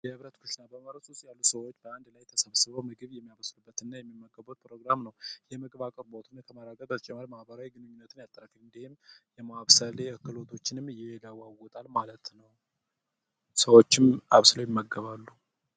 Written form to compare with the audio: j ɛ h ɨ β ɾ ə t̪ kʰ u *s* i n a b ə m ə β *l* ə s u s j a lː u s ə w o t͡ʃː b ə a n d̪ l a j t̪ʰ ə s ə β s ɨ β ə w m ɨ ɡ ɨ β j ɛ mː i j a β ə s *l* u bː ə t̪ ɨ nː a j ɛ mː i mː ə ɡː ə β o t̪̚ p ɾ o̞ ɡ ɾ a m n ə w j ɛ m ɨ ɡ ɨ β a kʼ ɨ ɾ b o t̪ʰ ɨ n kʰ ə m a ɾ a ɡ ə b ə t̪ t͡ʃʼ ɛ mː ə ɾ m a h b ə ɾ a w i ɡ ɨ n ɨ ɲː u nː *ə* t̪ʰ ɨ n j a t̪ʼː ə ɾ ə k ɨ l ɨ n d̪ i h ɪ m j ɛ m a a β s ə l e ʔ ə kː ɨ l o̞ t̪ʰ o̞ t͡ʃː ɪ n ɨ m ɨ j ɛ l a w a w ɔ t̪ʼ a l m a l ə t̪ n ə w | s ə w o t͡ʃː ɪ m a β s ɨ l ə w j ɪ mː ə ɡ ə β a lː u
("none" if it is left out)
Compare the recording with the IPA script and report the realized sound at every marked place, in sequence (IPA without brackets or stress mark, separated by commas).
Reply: ʃ, ɾ, l, ə